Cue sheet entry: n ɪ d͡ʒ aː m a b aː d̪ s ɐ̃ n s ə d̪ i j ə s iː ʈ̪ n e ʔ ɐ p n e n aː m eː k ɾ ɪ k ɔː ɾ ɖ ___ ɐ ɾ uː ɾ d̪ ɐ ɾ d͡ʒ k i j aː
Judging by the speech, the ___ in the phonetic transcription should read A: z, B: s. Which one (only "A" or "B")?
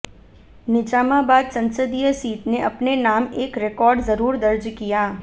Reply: A